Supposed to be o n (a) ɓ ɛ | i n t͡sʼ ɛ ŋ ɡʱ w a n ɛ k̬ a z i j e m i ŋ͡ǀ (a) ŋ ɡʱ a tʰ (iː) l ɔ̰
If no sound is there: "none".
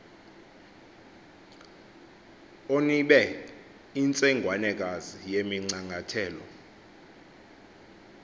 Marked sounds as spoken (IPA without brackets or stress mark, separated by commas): i, a, ɛː